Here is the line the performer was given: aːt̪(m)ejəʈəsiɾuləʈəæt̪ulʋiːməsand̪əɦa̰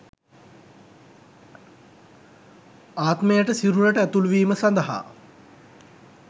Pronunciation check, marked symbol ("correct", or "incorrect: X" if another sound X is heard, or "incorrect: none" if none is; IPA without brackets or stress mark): correct